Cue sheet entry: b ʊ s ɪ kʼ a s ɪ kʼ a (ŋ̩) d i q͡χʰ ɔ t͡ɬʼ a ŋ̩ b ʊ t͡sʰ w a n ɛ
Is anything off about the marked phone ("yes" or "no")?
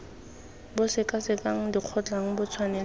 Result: no